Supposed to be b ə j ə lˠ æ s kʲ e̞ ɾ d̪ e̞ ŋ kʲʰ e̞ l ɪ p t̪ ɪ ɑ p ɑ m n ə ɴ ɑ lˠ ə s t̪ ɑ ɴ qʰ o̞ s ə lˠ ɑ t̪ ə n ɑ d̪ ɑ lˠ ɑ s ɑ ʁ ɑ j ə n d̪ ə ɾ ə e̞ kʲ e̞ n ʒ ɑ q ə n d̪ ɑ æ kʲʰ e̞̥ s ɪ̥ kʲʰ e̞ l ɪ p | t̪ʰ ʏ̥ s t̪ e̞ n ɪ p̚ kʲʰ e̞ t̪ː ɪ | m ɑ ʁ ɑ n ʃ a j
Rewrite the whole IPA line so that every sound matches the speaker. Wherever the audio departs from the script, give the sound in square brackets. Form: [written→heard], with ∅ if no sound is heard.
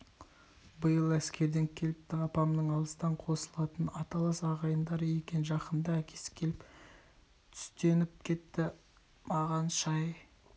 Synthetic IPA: b ə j ə lˠ æ s kʲ e̞ ɾ d̪ e̞ ŋ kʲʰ e̞ l ɪ p t̪ ɪ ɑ p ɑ m n ə ɴ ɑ lˠ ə s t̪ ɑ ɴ qʰ o̞ s ə lˠ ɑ t̪ ə n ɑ [d̪→t̪] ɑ lˠ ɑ s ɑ ʁ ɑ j ə n d̪ [ə→ɑ] ɾ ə e̞ kʲ e̞ n ʒ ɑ q ə n d̪ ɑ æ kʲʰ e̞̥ s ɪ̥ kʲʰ e̞ l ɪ p | t̪ʰ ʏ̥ s t̪ e̞ n ɪ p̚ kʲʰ e̞ t̪ː ɪ | m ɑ ʁ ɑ n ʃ [a→ɑ] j